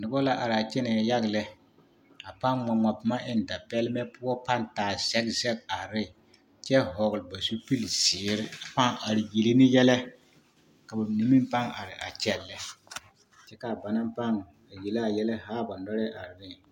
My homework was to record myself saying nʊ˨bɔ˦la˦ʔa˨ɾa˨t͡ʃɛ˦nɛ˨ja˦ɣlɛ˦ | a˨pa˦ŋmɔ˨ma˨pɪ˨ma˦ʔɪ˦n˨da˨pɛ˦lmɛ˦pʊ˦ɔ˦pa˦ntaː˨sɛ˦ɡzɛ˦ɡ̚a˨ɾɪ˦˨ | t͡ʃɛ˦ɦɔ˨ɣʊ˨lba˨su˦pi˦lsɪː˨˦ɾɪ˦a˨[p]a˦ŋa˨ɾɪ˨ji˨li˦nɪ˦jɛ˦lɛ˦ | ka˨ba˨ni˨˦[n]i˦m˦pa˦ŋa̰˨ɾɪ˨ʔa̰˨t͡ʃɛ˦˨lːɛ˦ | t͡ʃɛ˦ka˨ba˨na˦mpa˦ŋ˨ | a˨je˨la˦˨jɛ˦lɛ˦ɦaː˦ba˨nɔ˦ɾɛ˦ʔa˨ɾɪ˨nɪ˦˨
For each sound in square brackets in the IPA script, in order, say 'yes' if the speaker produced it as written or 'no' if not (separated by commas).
yes, no